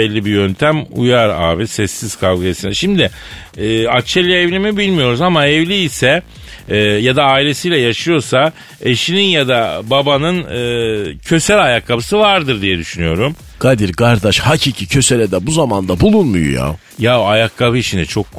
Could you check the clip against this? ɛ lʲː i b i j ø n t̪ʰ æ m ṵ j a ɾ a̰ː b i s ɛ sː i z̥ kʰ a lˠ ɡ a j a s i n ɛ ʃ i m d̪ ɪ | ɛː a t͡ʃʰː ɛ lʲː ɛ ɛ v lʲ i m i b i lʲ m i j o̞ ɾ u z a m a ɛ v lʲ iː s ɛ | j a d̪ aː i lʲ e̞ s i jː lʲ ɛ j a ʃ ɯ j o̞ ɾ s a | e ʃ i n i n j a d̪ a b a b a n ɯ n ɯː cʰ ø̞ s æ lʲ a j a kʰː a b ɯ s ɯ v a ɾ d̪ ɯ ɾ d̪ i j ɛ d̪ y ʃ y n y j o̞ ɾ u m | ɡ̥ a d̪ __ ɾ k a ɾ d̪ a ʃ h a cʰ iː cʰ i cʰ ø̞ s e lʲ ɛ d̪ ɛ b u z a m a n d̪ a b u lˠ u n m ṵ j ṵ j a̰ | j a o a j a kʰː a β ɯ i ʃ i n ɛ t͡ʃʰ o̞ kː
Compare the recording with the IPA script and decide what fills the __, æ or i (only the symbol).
i